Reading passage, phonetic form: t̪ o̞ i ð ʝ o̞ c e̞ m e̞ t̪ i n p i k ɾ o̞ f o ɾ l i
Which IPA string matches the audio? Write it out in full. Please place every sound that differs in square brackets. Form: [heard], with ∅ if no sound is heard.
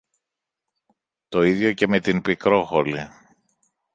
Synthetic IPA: t̪ o̞ i ð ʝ o̞ c e̞ m e̞ t̪ i n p i k ɾ o̞ [x] o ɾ l i